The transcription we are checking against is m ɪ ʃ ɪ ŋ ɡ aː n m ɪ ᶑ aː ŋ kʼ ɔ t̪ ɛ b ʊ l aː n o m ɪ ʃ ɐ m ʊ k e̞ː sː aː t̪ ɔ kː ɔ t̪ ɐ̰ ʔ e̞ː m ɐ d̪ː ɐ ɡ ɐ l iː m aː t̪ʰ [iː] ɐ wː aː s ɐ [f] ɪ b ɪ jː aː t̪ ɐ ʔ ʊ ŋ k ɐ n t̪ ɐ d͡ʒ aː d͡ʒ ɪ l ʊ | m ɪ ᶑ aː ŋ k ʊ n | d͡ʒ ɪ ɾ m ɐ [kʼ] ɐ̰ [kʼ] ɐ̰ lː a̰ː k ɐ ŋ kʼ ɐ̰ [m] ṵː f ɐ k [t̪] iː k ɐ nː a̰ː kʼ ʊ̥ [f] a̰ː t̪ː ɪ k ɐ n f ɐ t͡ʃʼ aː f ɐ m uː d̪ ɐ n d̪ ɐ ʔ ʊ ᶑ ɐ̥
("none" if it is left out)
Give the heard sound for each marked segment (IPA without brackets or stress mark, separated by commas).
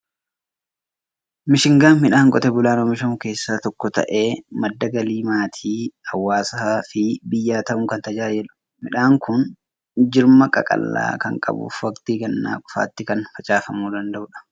iː, f, kʼ, kʼ, b, t̪, f